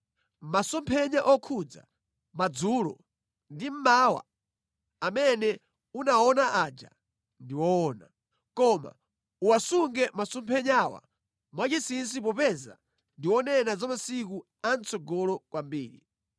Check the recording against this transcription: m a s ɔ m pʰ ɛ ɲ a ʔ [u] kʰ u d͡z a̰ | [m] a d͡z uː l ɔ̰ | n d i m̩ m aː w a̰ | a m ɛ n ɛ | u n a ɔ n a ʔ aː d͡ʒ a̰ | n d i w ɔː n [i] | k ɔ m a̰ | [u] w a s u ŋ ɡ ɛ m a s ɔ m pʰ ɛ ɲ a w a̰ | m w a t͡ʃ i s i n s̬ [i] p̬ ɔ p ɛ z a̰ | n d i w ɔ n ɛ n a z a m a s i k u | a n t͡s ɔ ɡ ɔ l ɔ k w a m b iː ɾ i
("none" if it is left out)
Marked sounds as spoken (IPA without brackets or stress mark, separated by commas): ɔ, m, a, u, i